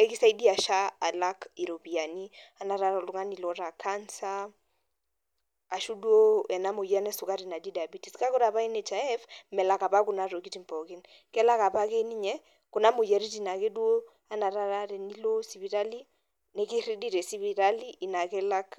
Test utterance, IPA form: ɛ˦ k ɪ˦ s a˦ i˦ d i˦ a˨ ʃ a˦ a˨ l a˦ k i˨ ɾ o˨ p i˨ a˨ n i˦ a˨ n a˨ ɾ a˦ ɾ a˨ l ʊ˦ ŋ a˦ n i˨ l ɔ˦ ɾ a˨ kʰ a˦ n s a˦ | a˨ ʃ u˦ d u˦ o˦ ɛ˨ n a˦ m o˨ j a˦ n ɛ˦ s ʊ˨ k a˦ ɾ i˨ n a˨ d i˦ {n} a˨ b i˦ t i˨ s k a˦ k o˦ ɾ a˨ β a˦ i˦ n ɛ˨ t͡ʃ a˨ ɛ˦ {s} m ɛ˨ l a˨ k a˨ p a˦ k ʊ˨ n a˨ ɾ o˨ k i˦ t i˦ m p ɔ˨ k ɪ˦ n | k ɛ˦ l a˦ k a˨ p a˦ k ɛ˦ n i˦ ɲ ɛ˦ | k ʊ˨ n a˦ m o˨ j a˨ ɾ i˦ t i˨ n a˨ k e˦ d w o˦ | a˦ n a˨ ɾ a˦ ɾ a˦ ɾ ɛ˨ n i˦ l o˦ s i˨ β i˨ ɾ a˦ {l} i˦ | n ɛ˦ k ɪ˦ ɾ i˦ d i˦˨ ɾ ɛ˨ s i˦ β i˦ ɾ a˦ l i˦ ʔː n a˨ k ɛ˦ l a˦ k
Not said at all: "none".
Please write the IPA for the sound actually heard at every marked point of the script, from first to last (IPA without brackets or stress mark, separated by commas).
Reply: d, f, l